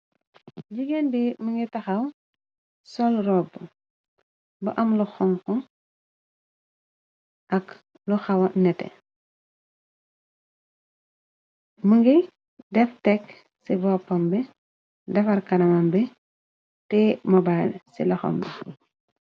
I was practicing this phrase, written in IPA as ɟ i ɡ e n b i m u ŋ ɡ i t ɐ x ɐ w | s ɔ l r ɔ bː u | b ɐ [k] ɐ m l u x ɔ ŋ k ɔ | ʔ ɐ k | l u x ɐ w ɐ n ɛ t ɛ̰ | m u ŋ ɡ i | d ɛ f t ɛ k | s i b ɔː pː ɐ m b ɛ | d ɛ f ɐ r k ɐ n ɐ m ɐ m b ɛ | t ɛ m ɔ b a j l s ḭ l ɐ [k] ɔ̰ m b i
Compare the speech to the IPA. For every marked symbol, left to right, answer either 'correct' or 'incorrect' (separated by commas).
incorrect, incorrect